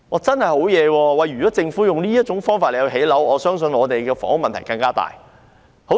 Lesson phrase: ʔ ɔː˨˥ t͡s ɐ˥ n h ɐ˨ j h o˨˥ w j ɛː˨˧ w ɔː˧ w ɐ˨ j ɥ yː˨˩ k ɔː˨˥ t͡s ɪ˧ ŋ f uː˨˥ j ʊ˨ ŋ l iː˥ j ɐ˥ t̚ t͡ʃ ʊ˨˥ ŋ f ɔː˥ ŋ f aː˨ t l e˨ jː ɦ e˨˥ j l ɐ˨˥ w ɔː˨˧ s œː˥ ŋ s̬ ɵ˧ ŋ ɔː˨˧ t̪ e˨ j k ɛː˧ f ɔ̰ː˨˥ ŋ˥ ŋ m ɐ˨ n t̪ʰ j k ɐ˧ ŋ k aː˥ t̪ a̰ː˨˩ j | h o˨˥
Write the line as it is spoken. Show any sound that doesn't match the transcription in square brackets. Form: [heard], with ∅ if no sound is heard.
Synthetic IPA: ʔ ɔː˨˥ t͡s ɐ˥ n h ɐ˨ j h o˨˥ w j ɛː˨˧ w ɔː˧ w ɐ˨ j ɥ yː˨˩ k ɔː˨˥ t͡s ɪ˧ ŋ f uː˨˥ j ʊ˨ ŋ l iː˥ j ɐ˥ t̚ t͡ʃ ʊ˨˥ ŋ f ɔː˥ ŋ f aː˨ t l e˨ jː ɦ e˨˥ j l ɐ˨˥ w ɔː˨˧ s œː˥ ŋ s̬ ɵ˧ [n] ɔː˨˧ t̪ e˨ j k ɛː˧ f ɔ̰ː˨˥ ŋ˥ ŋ m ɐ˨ n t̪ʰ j k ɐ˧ ŋ k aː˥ t̪ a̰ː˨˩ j | h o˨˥